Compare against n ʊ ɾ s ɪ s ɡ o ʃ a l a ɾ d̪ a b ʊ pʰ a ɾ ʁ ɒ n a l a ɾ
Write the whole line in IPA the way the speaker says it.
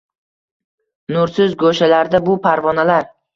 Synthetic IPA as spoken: n ʊ ɾ s ɪ z ɡ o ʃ a l a ɾ d̪ a b ʊ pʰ a ɾ v ɒ n a l a ɾ